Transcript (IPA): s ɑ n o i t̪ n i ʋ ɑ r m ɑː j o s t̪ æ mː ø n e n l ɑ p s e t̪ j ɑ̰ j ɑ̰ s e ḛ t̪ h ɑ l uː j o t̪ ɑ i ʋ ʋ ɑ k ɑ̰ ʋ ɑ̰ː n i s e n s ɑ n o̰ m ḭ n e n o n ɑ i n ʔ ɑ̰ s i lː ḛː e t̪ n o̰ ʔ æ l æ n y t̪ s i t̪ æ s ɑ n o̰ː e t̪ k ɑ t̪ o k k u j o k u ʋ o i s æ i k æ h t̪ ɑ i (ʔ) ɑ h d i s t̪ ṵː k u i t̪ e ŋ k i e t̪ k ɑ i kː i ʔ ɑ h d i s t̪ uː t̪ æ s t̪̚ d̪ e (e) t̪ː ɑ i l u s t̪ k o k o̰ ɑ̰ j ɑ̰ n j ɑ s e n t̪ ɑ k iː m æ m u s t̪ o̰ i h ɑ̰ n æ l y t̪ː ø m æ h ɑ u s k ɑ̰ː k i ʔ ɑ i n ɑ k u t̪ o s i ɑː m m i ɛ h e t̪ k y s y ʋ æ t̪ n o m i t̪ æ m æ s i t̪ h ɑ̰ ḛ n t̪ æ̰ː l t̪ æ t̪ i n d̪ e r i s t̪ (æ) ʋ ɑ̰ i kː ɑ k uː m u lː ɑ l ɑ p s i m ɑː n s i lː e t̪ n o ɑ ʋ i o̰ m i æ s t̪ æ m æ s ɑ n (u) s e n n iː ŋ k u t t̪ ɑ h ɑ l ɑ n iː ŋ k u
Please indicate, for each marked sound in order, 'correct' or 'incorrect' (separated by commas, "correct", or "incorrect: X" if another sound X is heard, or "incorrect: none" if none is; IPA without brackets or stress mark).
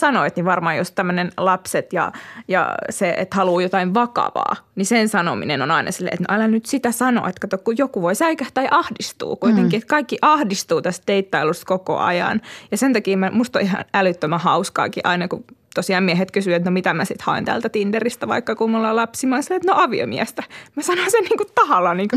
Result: correct, incorrect: i, correct, incorrect: o